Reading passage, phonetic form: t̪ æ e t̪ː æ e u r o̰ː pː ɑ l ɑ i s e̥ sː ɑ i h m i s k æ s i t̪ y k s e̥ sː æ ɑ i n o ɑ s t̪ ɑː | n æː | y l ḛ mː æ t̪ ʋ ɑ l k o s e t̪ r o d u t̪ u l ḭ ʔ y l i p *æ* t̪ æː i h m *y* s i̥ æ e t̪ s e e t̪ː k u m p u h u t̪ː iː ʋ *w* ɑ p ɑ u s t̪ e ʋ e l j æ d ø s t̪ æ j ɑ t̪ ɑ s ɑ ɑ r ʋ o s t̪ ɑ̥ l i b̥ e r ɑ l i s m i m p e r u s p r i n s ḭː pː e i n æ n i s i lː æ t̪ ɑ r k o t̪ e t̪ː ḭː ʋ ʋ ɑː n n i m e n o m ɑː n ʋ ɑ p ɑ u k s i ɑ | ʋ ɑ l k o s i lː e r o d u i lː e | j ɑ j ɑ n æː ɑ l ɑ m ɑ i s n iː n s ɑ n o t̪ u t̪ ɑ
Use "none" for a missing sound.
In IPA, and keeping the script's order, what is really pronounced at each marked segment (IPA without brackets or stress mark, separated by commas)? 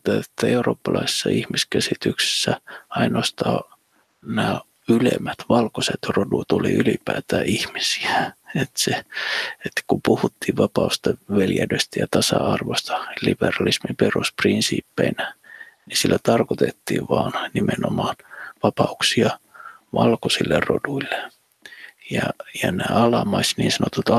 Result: æː, i, ʋ